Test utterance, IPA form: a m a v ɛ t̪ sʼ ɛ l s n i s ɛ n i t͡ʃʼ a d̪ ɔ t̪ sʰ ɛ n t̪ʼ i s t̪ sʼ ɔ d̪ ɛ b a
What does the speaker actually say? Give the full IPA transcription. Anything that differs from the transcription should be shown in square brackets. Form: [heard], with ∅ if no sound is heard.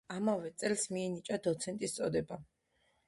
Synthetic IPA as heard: a m a v ɛ t̪ sʼ ɛ l s [m] i [∅] ɛ n i t͡ʃʼ a d̪ ɔ t̪ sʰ ɛ n t̪ʼ i s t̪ sʼ ɔ d̪ ɛ b a